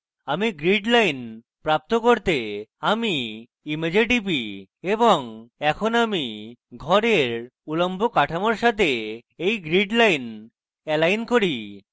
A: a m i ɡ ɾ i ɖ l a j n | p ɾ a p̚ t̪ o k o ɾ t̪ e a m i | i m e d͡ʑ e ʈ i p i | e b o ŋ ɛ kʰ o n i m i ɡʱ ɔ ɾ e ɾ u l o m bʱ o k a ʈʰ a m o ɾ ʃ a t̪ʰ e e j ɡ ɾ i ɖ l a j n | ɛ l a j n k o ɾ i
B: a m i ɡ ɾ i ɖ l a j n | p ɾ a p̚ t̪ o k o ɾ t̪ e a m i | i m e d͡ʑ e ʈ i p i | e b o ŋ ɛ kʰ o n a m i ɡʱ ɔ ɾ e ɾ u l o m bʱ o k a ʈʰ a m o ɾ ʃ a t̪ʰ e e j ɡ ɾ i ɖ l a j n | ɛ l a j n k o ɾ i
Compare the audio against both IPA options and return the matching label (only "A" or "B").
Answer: B